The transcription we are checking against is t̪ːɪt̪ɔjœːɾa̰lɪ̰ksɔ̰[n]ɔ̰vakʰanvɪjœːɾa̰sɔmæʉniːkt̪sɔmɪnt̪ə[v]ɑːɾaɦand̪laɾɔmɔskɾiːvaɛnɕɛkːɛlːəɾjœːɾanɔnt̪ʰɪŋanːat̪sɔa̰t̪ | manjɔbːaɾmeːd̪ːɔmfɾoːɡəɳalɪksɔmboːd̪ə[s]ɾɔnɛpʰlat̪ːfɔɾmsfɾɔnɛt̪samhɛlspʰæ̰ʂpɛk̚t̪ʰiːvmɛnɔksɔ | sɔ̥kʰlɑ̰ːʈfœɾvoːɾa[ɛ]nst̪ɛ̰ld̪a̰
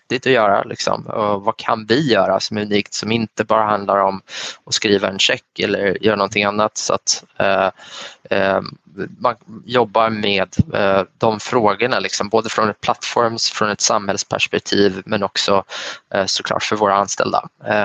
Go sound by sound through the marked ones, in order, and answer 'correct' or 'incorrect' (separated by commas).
incorrect, incorrect, incorrect, incorrect